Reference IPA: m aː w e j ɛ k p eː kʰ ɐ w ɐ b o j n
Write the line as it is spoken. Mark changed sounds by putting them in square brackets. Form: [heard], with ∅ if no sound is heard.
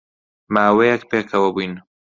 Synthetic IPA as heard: m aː w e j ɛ k p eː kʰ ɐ w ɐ b [u] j n